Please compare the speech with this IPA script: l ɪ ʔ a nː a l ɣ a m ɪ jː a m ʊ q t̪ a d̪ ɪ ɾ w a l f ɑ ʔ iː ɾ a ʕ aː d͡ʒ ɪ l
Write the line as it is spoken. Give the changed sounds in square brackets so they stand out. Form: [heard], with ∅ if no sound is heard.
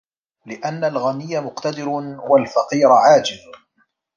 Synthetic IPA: l ɪ ʔ a nː a l ɣ a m ɪ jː a m ʊ q t̪ a d̪ ɪ ɾ w a l f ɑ [q] iː ɾ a ʕ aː d͡ʒ ɪ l